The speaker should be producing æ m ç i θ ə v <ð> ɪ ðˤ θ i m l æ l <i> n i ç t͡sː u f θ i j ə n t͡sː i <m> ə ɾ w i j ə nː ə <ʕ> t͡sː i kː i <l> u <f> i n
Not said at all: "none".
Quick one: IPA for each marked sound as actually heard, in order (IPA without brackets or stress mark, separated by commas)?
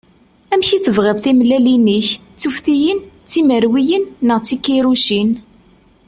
ʁ, i, m, ʁ, ɾ, ʃ